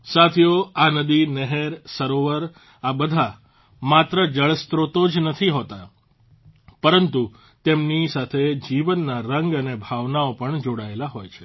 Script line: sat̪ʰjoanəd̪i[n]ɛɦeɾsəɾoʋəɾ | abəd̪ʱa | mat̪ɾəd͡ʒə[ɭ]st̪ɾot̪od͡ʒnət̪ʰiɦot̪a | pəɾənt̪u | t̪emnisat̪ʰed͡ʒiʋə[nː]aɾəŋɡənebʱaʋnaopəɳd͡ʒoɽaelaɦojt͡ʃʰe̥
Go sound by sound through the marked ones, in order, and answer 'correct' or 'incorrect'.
correct, correct, correct

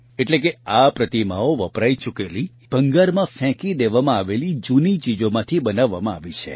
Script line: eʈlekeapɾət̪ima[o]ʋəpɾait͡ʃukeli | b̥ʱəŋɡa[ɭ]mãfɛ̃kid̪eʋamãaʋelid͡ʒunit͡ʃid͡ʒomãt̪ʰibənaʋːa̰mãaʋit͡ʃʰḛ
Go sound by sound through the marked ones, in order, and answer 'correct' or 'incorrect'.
correct, incorrect: ɾ

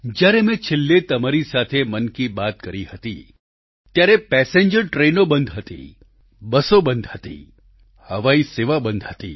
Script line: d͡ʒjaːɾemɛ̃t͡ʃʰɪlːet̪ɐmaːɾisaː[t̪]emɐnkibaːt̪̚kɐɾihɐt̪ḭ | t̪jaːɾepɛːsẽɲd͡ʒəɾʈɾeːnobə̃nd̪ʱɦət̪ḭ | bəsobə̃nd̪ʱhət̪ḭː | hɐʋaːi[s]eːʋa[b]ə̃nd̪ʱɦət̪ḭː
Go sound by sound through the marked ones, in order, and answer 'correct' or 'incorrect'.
incorrect: t̪ʰ, correct, correct

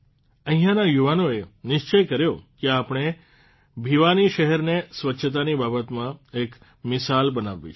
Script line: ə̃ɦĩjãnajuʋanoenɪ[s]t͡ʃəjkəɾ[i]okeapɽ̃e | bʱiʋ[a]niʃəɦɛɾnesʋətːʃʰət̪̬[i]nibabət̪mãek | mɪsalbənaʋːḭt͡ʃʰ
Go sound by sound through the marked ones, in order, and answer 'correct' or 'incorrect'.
incorrect: ʃ, incorrect: j, correct, incorrect: a

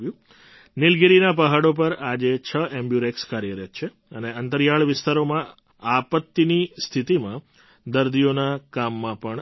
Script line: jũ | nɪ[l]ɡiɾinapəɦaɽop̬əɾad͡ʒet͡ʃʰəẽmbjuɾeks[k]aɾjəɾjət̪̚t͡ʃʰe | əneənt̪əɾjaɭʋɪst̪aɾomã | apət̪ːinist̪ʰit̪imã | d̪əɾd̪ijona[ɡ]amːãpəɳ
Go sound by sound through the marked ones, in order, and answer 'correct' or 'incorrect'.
correct, correct, incorrect: k

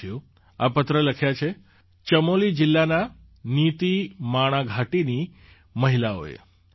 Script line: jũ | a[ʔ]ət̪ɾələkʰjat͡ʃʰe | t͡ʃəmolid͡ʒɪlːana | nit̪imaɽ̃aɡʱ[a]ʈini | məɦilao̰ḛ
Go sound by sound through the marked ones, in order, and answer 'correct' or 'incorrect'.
incorrect: p, correct

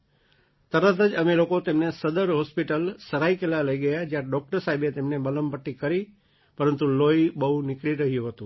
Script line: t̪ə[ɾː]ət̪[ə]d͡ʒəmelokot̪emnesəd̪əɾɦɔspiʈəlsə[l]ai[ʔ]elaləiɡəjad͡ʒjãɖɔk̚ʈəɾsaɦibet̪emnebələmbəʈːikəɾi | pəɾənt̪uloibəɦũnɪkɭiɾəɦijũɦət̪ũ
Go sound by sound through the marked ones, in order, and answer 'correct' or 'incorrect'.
incorrect: ɾ, correct, incorrect: ɾ, incorrect: k

